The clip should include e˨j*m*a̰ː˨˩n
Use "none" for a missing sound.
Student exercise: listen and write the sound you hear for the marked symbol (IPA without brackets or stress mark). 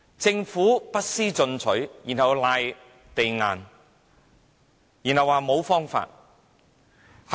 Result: ŋ